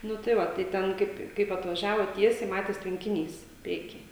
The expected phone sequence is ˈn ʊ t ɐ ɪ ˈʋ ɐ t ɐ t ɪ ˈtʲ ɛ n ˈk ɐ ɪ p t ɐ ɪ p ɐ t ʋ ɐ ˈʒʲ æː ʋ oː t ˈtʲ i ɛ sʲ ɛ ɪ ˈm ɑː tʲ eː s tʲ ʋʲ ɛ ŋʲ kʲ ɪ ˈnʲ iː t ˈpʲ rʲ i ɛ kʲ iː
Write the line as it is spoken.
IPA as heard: ˈn ʊ t ɐ ɪ ˈʋ ɐ t ɐ ɪ ˈtʲ ɛ n ˈk ɐ ɪ p k ɐ ɪ p ɐ t ʋ ɐ ˈʒʲ æː ʋ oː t ˈtʲ i ɛ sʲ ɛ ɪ ˈm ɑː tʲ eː s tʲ ʋʲ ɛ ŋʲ kʲ ɪ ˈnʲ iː s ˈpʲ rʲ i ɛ kʲ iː